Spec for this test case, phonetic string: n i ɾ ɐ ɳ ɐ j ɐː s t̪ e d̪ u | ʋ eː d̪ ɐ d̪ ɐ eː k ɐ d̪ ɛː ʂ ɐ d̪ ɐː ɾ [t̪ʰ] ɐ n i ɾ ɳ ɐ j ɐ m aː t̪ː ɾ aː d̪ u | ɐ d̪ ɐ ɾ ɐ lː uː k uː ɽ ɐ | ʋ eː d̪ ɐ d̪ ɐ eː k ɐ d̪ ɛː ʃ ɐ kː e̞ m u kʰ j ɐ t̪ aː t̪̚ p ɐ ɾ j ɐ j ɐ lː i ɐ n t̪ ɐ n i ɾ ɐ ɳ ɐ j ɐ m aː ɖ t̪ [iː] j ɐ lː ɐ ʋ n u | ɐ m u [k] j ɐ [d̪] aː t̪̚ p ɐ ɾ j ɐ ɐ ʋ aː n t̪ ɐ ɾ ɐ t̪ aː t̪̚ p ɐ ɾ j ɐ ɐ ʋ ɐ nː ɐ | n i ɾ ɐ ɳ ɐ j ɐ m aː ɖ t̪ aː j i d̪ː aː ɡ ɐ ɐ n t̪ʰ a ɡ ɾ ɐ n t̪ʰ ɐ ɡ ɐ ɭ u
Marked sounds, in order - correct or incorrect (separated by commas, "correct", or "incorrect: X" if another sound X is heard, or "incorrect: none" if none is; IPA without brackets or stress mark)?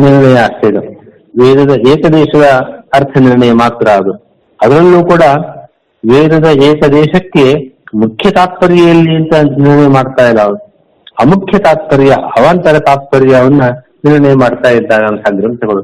correct, incorrect: aː, incorrect: kʰ, incorrect: t̪